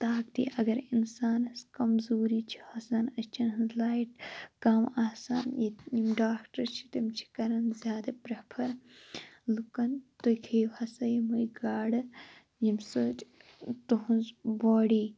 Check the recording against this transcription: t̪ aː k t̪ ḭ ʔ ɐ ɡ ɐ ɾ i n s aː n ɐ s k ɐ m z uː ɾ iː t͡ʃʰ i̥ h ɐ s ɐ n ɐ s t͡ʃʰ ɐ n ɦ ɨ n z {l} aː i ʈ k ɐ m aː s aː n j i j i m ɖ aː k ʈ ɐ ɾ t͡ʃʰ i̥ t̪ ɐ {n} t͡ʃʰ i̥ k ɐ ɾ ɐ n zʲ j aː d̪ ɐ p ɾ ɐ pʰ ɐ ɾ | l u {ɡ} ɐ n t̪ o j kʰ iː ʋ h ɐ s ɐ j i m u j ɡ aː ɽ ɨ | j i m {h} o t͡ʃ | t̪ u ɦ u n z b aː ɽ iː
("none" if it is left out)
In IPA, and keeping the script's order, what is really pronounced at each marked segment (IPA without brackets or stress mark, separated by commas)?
l, m, k, s